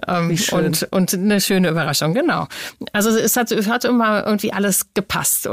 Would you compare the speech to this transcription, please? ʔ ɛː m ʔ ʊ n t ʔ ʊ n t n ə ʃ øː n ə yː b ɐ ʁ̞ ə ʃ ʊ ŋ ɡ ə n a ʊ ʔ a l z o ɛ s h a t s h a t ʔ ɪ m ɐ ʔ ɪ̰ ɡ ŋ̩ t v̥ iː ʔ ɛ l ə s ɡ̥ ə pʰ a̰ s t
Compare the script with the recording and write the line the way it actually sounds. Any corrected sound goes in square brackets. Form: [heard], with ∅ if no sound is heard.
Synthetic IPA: ʔ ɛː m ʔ ʊ n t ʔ ʊ n t n ə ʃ øː n ə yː b ɐ ʁ̞ [a] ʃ ʊ ŋ ɡ ə n a ʊ ʔ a l z o ɛ s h a t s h a t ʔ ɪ m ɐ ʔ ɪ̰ ɡ ŋ̩ t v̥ iː ʔ [a] l ə s ɡ̥ ə pʰ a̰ s t